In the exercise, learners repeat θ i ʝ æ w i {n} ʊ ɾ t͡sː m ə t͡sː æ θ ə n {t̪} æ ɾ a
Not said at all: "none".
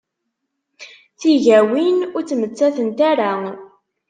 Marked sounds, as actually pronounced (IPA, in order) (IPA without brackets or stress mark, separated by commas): n, t̪